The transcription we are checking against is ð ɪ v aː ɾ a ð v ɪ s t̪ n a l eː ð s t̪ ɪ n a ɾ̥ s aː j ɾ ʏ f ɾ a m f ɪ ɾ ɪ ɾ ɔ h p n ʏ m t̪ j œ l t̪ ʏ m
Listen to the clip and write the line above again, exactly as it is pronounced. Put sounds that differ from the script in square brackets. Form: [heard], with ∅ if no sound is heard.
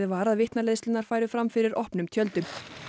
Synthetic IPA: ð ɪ v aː ɾ a ð v ɪ [h] t̪ n a l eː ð s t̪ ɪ n a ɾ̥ [f] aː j ɾ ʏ f ɾ a m f ɪ ɾ ɪ ɾ ɔ h p n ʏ m [t̪ʰ] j œ l t̪ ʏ m

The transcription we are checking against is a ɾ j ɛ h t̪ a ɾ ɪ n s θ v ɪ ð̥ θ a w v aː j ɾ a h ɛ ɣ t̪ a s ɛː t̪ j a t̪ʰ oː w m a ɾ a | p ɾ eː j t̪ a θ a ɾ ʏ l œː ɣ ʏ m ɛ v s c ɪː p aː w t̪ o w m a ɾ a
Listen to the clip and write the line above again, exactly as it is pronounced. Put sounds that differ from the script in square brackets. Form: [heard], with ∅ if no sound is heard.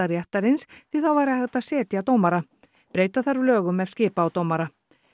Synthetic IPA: a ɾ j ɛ h t̪ a ɾ ɪ n s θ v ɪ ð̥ θ a w v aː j ɾ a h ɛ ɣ t̪ a s ɛː t̪ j a [t̪] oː w m a ɾ a | p ɾ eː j t̪ a θ a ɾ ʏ l œː ɣ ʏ m ɛ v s c ɪː p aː w t̪ o w m a ɾ a

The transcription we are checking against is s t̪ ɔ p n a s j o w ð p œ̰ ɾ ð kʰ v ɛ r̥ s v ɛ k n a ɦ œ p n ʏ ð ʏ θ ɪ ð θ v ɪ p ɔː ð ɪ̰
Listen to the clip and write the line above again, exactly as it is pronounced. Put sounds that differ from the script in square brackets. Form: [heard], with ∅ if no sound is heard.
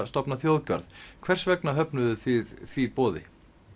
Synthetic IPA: s t̪ ɔ p n a [θ] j o w ð [c] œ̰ ɾ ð kʰ v ɛ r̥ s v ɛ k n a ɦ œ p n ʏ ð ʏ θ ɪ ð θ v [i] p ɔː ð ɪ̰

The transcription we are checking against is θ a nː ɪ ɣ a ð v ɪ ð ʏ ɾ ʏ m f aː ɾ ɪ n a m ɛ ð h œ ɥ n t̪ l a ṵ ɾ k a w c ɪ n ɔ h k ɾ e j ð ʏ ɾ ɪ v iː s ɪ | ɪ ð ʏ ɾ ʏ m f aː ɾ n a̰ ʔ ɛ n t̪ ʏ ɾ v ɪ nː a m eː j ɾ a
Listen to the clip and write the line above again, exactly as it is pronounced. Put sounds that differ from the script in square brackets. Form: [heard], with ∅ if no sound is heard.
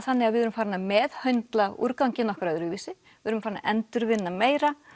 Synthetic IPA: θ a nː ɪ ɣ a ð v ɪ ð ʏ ɾ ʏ m f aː ɾ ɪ n a m ɛ ð h œ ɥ n t̪ l a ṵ ɾ k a w c ɪ n ɔ h k ɾ [a] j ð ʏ ɾ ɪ v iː s ɪ | ɪ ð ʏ ɾ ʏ m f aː ɾ n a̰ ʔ ɛ n t̪ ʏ ɾ v ɪ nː a m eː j ɾ a

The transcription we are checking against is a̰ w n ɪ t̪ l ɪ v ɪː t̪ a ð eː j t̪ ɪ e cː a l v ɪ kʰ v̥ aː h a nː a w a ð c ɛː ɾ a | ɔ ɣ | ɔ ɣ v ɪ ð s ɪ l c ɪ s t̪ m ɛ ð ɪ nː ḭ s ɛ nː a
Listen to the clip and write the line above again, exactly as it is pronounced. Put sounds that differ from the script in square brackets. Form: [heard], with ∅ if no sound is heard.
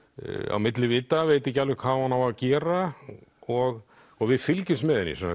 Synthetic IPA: a̰ w [m] ɪ t̪ l ɪ v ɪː t̪ a [v] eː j t̪ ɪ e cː a l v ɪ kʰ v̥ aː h a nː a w a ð c ɛː ɾ a | ɔ ɣ | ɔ ɣ v ɪ ð [f] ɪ l c ɪ s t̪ m ɛ ð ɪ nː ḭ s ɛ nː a

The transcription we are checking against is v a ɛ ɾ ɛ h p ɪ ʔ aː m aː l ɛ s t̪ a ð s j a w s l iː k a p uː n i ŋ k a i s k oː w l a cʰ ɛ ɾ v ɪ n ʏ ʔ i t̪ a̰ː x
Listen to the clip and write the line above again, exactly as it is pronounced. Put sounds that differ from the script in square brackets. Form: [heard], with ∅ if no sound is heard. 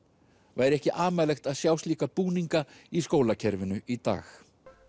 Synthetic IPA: v a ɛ ɾ ɛ h [c] ɪ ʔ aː m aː l ɛ [x] t̪ a ð s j a w s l iː k a p uː n i ŋ k a i s k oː w l a cʰ ɛ ɾ v ɪ n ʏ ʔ i t̪ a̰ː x

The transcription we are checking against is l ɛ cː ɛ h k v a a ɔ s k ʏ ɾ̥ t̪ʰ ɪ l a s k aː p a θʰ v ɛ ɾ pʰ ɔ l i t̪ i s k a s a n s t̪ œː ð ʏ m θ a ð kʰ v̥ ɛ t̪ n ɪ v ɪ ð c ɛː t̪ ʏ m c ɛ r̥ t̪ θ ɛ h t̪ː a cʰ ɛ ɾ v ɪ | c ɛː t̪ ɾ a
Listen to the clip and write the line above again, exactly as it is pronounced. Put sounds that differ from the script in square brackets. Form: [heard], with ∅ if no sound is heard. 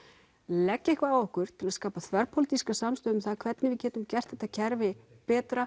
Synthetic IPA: l ɛ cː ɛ h k v a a ɔ [h] k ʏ ɾ̥ t̪ʰ ɪ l a s k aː p a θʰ v ɛ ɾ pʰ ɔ l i t̪ i s k a s a [m] s t̪ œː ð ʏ m θ a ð kʰ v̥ ɛ t̪ n ɪ v ɪ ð c ɛː t̪ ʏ m c ɛ r̥ t̪ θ ɛ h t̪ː a cʰ ɛ ɾ v ɪ | [p] ɛː t̪ ɾ a

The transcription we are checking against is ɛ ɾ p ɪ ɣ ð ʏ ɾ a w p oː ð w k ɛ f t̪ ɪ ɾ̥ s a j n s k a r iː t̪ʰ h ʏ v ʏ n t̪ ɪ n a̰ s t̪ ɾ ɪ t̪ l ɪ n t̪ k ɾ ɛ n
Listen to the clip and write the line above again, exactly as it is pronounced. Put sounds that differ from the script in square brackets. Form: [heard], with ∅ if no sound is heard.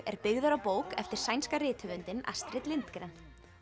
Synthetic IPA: ɛ ɾ p ɪ ɣ ð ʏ ɾ a w p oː [∅] w k ɛ f t̪ ɪ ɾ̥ s a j n s k a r [ɪː] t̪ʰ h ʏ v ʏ n t̪ ɪ n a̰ s t̪ ɾ ɪ t̪ l ɪ n t̪ k ɾ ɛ n

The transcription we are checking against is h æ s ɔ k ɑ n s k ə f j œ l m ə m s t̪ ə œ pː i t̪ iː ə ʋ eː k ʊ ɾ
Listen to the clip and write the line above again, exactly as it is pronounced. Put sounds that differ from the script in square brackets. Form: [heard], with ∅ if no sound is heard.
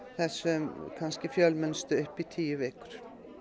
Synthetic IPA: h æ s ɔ [kʰ] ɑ n s k ə f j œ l m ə [n] s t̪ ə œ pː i [t̪ʰ] iː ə ʋ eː k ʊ ɾ

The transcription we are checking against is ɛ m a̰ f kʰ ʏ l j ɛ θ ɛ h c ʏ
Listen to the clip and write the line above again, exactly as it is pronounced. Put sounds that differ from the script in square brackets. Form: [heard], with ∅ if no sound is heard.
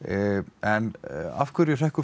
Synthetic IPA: ɛ [n] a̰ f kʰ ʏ [ɾ] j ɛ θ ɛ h [k] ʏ

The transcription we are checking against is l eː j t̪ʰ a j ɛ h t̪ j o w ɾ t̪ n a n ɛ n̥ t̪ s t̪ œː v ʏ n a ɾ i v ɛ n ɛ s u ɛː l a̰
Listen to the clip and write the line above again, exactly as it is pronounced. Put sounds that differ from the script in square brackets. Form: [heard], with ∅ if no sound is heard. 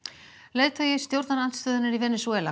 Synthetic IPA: l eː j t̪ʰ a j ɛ [s] t̪ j o w ɾ t̪ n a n [a] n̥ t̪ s t̪ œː [ð] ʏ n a ɾ i v ɛ n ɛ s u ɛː l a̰

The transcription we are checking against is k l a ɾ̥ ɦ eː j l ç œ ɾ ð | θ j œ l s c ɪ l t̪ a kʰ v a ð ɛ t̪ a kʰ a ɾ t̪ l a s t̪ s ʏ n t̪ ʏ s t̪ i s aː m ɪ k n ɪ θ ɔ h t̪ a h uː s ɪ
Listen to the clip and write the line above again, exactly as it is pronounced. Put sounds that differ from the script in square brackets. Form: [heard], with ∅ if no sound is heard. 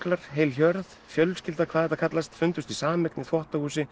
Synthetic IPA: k l a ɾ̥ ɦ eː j l ç œ ɾ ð | [f] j œ l s c ɪ l t̪ a kʰ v a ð ɛ t̪ a kʰ a [∅] t̪ l a s t̪ [f] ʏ n t̪ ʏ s t̪ i s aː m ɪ k n ɪ θ ɔ h t̪ a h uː s ɪ

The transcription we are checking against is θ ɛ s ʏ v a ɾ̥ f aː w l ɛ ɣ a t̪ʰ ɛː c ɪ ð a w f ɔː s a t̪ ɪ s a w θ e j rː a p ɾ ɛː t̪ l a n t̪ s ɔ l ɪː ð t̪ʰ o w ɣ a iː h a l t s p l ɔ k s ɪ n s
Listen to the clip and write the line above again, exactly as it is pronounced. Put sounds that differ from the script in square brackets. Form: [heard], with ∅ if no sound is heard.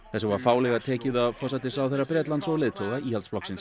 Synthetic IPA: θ ɛ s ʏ v a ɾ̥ f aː w l ɛ ɣ a t̪ʰ ɛː c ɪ ð a [∅] f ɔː s a t̪ ɪ s a w θ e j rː a p ɾ ɛː t̪ l a n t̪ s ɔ l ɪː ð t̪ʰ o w ɣ a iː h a l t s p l ɔ k s ɪ n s

